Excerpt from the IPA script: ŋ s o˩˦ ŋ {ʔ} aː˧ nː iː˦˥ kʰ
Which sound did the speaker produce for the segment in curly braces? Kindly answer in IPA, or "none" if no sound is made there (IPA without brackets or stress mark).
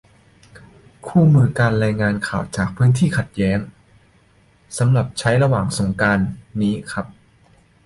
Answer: k